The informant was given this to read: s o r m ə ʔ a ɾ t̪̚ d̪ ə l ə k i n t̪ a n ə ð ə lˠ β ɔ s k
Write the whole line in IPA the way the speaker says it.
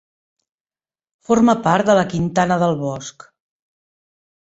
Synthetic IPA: f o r m ə p a ɾ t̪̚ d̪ ə l ə k i n t̪ a n ə ð ə lˠ β ɔ s k